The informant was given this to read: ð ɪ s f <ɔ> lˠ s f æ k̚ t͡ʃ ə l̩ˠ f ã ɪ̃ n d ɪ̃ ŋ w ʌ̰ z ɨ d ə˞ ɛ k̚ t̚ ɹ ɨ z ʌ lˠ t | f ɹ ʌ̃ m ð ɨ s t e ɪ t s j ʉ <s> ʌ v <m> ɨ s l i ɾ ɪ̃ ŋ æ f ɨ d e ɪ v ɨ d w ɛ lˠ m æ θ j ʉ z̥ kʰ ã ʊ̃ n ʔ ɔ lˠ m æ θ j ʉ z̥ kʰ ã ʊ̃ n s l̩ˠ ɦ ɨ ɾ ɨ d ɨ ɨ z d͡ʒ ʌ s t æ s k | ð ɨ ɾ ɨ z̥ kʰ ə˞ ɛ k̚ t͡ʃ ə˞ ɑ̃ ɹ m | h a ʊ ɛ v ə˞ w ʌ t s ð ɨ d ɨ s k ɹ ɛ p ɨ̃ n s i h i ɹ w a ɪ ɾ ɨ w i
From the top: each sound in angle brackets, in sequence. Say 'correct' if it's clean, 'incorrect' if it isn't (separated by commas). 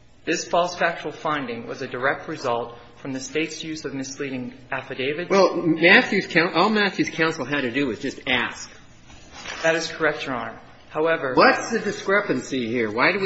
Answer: correct, incorrect, correct